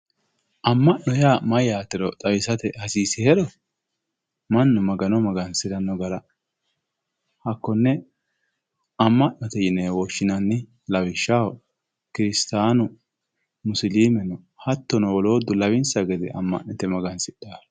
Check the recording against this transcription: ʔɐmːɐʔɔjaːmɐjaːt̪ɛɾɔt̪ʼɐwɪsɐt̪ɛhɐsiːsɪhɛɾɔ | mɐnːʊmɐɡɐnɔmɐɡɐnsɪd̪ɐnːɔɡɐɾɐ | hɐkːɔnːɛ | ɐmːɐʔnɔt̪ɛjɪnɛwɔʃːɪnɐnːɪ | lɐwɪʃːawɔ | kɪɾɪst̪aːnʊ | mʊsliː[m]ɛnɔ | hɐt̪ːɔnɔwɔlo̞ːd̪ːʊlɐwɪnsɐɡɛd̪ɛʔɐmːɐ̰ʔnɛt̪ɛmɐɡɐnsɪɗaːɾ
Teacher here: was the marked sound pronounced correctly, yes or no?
yes